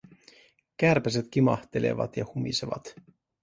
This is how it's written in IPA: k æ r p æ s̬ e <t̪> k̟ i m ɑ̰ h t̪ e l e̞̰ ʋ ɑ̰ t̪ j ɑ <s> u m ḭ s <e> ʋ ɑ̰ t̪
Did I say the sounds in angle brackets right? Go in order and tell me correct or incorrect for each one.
correct, incorrect, correct

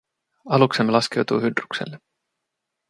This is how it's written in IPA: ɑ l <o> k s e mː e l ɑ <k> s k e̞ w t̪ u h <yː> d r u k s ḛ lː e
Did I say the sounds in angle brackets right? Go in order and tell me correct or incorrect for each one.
incorrect, incorrect, incorrect

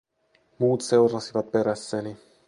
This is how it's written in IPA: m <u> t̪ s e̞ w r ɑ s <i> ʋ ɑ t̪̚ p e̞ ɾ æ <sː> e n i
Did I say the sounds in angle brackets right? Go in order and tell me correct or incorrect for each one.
incorrect, correct, correct

